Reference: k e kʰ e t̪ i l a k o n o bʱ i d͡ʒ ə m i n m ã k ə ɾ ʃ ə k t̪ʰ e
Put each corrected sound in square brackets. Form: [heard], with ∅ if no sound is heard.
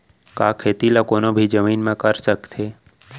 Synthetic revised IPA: k [a] kʰ e t̪ i l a k o n o bʱ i d͡ʒ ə m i n m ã k ə ɾ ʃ ə k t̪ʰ e